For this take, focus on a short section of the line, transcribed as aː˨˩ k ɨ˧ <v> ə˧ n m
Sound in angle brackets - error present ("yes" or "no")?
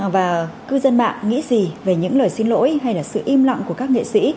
yes